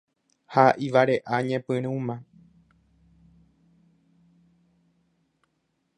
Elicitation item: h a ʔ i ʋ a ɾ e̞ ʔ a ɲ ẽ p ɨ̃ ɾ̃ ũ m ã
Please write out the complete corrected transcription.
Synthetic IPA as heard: h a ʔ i ʋ a ɾ e̞ ʔ a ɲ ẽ p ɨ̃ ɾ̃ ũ m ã